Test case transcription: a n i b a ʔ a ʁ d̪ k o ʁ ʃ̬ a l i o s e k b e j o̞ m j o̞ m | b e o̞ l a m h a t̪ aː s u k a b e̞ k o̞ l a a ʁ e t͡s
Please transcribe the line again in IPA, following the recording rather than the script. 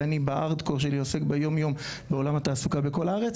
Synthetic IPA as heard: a n i b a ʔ a ʁ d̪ k o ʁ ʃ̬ e l i o s e k b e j o̞ m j o̞ m | b e o̞ l a m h a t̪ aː s u k a b e̞ k o̞ l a a ʁ e t͡s